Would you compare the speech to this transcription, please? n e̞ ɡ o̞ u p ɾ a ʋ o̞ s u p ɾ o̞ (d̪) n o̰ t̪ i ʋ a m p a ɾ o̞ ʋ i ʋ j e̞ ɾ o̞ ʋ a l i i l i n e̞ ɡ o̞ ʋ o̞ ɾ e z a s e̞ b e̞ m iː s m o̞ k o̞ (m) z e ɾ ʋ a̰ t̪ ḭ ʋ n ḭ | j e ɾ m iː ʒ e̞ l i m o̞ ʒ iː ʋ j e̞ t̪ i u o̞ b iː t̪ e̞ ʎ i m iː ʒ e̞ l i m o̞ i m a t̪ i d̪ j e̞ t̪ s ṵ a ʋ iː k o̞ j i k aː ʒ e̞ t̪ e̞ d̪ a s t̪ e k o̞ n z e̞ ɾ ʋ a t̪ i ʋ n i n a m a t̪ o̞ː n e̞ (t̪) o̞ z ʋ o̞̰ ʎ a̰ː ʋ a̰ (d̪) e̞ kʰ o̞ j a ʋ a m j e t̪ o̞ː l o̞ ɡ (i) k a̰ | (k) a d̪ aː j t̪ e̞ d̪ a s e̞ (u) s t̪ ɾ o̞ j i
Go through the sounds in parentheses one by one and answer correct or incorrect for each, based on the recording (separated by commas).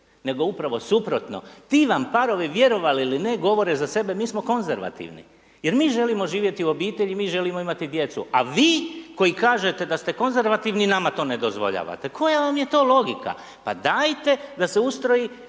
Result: incorrect, incorrect, incorrect, incorrect, correct, incorrect, correct